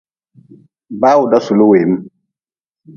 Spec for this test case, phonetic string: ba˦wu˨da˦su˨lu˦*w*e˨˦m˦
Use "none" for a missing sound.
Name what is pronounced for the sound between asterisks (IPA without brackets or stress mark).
w